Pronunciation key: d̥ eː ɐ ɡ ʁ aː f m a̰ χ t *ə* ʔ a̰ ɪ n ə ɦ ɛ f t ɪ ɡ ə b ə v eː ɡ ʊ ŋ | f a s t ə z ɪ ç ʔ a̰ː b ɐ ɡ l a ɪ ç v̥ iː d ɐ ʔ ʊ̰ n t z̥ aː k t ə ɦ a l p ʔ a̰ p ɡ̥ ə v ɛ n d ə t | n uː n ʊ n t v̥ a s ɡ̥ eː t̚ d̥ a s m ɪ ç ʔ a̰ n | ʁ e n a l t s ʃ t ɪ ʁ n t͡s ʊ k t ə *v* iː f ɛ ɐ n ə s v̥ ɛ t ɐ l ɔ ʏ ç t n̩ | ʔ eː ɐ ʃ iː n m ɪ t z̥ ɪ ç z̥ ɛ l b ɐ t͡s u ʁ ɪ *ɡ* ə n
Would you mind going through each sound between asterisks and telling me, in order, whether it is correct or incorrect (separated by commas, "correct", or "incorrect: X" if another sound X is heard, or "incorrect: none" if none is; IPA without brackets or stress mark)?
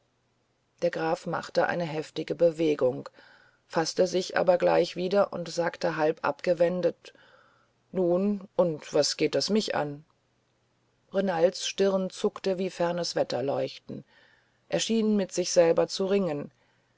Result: correct, correct, incorrect: ŋ